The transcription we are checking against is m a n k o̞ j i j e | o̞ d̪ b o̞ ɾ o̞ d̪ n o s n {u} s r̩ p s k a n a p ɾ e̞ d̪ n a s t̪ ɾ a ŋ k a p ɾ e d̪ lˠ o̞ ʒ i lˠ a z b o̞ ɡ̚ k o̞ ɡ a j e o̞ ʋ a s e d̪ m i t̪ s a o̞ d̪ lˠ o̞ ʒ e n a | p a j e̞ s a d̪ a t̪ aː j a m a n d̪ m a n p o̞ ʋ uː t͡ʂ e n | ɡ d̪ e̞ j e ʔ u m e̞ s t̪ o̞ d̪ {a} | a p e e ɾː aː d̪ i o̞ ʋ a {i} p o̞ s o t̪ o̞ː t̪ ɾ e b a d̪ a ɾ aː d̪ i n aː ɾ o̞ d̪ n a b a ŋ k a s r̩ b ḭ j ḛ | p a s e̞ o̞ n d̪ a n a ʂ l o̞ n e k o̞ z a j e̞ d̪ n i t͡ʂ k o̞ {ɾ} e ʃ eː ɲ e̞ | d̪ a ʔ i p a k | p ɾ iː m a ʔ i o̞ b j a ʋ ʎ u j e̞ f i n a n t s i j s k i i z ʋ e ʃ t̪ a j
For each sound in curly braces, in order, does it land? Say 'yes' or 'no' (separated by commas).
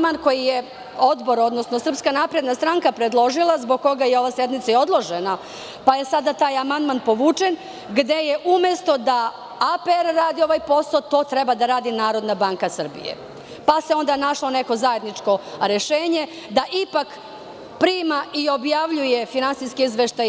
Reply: no, yes, no, yes